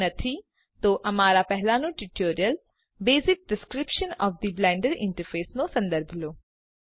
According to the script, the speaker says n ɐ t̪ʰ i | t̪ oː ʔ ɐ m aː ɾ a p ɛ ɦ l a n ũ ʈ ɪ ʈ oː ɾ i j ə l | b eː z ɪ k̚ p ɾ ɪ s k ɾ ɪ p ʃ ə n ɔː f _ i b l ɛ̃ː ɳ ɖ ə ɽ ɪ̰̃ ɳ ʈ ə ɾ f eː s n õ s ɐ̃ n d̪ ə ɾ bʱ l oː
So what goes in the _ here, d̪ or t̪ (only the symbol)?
d̪